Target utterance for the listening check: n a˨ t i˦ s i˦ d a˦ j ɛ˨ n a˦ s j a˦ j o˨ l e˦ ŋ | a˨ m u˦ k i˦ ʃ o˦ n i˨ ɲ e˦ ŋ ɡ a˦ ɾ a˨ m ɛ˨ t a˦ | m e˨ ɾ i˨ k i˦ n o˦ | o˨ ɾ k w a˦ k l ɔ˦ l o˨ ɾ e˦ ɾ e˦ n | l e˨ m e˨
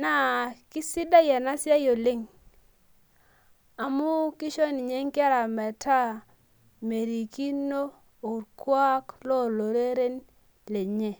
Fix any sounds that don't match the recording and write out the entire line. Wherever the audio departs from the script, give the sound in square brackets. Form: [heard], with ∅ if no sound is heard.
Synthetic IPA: n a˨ [k] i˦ s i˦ d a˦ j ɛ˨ n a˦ s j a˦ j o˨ l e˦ ŋ | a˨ m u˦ k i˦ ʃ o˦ n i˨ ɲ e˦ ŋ [k] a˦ ɾ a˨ m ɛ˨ t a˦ | m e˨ ɾ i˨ k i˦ n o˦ | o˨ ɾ k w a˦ k l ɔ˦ l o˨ ɾ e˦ ɾ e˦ n | l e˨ [ɲ] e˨

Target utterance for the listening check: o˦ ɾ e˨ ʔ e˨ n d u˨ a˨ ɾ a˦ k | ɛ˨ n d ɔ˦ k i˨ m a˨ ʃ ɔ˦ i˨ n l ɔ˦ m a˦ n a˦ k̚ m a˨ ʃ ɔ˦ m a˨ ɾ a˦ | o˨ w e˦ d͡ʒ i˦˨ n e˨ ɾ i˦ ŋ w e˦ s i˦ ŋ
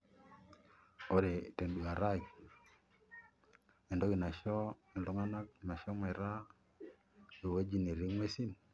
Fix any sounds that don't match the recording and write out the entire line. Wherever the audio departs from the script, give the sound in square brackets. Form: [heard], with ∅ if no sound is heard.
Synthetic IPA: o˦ ɾ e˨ [t] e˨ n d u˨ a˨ ɾ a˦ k | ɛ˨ n d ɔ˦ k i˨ [n] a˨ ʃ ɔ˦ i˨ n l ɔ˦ [ŋ] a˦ n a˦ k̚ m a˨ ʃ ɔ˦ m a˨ ɾ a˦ | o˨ w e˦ d͡ʒ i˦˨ n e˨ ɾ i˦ ŋ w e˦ s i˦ [n]

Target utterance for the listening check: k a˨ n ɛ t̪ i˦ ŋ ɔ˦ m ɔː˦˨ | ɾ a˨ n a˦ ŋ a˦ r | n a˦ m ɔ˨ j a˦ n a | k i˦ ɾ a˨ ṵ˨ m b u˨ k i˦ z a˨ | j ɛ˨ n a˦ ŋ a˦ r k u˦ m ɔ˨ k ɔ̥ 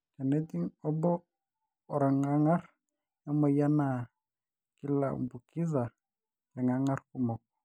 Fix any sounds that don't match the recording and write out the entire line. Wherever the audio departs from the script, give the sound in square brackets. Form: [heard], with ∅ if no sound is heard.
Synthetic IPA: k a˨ n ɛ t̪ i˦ ŋ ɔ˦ [b] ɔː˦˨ | ɾ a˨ [ŋ] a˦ ŋ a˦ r | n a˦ m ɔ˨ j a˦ n a | k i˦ [l] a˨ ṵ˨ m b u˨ k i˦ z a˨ | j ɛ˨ [ŋ] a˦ ŋ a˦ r k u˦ m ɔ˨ k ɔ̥

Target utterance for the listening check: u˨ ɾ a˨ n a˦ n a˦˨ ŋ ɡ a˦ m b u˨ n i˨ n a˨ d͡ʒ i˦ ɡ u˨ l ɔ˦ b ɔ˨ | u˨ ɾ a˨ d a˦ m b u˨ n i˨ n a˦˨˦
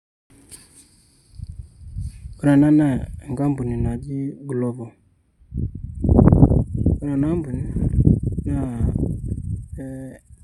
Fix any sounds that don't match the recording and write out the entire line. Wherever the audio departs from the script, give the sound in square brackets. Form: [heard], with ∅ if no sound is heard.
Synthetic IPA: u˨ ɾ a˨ n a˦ n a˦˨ ŋ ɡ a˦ m b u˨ n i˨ n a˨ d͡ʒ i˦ ɡ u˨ l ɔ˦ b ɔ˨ | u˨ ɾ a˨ [n] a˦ m b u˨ n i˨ n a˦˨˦

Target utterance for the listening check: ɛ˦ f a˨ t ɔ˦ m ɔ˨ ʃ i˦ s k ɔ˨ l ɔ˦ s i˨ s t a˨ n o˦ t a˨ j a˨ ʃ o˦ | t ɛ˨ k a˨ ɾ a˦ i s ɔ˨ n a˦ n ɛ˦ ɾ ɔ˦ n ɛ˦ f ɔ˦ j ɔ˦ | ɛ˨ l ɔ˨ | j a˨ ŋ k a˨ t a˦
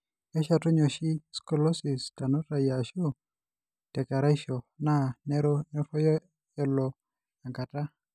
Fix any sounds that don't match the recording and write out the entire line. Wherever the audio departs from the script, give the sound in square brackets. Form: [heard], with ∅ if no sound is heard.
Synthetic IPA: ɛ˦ [ʃ] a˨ t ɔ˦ [ɲ] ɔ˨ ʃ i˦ s k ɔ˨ l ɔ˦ s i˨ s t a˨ n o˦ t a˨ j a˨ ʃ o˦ | t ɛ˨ k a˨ ɾ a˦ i [ʃ] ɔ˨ n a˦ n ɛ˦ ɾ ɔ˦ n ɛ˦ f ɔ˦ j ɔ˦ | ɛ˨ l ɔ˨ | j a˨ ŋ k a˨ t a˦

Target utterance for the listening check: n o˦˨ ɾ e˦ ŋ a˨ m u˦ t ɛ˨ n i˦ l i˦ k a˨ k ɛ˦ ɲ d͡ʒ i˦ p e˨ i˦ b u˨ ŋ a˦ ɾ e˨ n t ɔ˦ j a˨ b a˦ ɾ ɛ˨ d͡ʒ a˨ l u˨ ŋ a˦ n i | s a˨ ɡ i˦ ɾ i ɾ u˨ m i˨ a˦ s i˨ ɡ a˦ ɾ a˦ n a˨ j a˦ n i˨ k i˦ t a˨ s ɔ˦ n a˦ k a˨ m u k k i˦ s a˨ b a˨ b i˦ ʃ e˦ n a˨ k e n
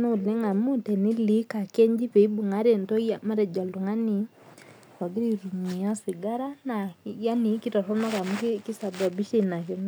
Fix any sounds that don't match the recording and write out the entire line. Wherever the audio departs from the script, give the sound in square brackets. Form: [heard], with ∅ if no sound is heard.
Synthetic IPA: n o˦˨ [l] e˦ ŋ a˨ m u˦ t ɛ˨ n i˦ l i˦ k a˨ k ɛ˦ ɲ d͡ʒ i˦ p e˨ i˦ b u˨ ŋ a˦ ɾ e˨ n t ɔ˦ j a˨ [m] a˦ ɾ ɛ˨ d͡ʒ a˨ l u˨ ŋ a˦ n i | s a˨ ɡ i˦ ɾ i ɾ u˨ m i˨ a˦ s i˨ ɡ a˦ ɾ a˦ n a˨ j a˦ n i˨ k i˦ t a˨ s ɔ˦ n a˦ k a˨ m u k k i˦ s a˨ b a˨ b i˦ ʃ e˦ n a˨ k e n

